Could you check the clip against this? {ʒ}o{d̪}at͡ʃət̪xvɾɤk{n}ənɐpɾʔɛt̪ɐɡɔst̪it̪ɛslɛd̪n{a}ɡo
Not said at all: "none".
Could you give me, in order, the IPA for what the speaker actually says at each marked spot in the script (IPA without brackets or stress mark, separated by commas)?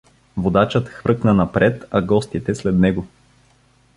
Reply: v, d̪, n, ɛ